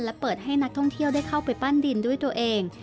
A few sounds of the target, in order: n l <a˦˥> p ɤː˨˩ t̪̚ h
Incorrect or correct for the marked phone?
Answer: incorrect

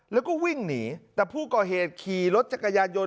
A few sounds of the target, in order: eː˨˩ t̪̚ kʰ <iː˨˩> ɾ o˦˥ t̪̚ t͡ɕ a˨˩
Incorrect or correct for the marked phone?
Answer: correct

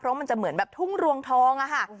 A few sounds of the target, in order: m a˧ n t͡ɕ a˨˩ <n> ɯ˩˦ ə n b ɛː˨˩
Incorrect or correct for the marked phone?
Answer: incorrect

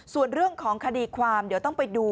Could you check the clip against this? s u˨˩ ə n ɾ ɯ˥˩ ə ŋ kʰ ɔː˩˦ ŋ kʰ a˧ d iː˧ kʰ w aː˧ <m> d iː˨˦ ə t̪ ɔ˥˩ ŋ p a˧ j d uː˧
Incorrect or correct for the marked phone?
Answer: correct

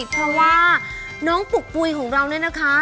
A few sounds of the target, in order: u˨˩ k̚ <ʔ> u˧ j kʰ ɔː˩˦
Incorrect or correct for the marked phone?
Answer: incorrect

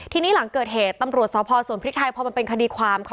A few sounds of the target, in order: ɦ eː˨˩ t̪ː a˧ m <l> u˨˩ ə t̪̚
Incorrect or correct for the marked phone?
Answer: incorrect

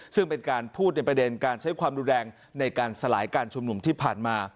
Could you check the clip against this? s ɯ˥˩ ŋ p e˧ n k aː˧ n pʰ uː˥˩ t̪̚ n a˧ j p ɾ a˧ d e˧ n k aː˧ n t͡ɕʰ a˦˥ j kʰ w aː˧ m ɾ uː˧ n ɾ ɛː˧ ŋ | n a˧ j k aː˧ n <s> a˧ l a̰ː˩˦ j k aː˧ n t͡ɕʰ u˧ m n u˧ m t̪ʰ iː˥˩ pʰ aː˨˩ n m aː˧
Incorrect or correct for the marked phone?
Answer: correct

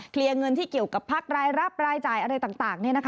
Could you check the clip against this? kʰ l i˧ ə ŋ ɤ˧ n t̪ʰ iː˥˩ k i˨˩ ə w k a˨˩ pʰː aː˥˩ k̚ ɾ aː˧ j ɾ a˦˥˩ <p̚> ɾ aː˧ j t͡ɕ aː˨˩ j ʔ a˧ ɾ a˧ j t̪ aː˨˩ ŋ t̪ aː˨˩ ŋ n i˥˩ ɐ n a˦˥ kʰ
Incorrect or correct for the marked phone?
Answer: correct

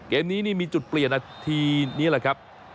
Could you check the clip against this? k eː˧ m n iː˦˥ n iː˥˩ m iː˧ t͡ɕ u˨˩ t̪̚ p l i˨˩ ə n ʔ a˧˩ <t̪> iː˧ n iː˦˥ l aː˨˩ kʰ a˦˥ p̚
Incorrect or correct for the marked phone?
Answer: incorrect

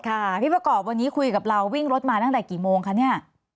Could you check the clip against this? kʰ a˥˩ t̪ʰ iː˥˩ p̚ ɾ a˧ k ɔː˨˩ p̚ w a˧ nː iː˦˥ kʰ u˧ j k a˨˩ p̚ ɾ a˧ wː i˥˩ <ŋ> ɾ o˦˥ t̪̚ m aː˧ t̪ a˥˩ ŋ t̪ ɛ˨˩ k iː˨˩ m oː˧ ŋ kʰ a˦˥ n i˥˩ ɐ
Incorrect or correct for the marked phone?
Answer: correct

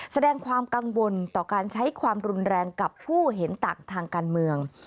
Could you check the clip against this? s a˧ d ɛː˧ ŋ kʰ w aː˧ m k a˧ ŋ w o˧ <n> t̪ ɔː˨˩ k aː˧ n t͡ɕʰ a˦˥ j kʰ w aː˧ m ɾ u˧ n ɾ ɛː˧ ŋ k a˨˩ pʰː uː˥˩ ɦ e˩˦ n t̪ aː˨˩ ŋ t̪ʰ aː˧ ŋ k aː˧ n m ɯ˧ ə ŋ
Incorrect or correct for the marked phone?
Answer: correct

